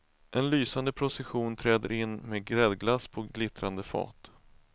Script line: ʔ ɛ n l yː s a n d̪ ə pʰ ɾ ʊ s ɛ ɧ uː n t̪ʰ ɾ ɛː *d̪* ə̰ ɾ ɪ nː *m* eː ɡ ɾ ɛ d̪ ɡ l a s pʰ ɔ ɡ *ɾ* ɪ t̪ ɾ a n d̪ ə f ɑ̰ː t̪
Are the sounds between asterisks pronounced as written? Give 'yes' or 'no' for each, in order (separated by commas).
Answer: yes, yes, no